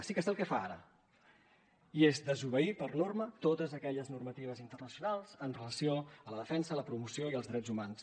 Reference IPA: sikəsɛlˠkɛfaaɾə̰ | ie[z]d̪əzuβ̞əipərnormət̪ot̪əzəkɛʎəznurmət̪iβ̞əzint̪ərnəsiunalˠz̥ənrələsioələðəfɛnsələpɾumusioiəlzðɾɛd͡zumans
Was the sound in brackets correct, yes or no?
yes